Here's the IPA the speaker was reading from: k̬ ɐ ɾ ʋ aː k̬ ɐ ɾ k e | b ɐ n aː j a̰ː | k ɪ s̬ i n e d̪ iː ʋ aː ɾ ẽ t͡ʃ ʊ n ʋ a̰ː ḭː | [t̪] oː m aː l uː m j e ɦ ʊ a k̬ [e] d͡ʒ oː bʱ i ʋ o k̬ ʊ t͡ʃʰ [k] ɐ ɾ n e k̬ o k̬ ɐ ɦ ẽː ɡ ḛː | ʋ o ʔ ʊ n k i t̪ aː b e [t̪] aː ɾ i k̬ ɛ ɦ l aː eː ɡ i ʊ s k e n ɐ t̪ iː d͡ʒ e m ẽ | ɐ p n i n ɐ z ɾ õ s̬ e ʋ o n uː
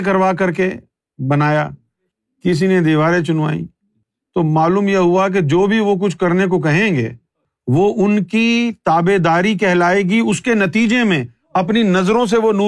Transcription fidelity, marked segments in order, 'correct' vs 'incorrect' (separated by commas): correct, correct, correct, incorrect